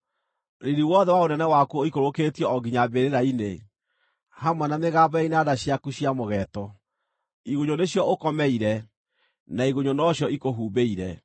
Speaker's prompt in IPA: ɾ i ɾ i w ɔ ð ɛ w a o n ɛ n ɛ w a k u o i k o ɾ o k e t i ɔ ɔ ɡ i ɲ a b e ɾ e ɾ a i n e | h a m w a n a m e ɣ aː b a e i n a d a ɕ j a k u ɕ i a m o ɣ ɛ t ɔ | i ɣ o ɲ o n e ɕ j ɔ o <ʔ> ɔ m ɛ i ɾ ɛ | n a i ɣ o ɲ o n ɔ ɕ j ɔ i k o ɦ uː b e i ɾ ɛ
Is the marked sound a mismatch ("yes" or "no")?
yes